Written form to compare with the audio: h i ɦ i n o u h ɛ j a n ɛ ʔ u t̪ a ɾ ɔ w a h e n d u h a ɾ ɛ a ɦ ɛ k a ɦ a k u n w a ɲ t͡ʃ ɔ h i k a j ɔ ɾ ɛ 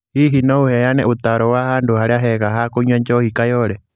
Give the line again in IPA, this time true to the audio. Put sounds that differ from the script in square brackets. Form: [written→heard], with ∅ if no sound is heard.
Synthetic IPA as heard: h i ɦ i n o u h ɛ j a n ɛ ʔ u t̪ a ɾ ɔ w a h [e→a] n d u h a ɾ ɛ a ɦ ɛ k a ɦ a k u [n→ɲ] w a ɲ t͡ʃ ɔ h i k a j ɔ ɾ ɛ